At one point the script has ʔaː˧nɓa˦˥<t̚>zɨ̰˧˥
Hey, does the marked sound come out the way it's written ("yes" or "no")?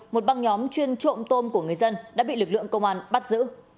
yes